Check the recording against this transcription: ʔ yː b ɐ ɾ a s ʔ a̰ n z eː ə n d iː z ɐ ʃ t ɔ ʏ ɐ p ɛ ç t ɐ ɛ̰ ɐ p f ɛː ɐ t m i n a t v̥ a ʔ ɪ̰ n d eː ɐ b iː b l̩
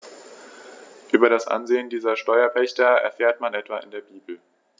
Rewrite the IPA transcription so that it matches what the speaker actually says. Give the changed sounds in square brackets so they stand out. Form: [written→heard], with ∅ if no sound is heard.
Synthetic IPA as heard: ʔ yː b ɐ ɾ a s ʔ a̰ n z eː ə n d iː z ɐ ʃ t ɔ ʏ ɐ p ɛ ç t ɐ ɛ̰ ɐ [p→∅] f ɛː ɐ t m [i→a] n [a→ɛ] t v̥ a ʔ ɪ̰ n d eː ɐ b iː b l̩